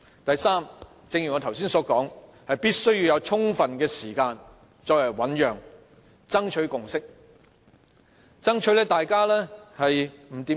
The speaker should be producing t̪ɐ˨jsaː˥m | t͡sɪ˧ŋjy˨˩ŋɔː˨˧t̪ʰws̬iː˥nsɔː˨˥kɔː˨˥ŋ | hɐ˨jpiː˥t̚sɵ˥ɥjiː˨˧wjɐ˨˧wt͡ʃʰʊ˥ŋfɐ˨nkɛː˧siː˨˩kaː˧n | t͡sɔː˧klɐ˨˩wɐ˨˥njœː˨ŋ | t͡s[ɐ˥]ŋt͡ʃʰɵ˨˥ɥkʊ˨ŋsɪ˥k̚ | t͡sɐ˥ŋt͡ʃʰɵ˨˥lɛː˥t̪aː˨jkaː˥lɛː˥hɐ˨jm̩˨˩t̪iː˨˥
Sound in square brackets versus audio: correct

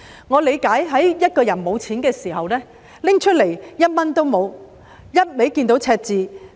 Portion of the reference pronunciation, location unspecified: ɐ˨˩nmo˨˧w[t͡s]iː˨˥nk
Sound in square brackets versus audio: incorrect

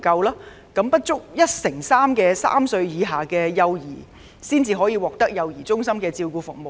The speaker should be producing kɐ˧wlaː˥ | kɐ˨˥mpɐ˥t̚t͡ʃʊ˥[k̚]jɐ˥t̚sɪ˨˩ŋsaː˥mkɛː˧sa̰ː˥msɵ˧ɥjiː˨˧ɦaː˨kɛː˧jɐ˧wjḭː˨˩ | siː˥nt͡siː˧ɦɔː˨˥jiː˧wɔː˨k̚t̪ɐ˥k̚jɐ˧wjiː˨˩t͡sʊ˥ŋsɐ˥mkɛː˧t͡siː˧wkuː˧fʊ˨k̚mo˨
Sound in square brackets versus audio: correct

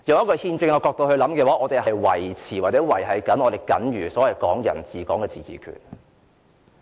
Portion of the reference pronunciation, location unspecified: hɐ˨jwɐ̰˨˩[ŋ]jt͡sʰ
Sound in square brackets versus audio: incorrect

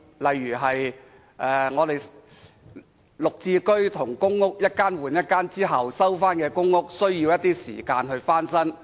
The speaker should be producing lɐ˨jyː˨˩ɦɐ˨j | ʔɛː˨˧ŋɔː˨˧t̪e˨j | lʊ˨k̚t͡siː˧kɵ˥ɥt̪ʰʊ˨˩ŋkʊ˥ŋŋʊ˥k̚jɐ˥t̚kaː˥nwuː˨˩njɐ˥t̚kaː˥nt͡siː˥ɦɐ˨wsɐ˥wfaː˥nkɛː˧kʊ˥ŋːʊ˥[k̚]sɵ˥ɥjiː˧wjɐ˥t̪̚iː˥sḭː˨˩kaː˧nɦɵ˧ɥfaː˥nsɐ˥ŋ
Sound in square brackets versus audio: correct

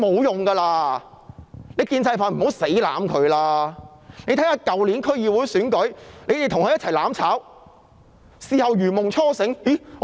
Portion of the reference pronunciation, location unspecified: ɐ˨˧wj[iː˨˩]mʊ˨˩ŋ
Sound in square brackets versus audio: incorrect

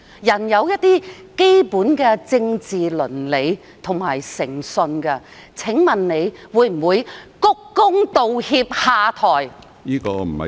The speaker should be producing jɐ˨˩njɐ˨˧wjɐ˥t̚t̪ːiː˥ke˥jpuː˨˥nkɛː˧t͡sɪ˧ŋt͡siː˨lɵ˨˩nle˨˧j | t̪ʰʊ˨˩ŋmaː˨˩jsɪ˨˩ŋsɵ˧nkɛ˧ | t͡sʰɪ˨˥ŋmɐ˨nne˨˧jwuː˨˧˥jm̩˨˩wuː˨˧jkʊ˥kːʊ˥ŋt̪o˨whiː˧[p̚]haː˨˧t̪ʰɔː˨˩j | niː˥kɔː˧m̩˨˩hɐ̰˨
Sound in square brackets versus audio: correct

